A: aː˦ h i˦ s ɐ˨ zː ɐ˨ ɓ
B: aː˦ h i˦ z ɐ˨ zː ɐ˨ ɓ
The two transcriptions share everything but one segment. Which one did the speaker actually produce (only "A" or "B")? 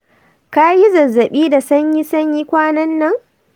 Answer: B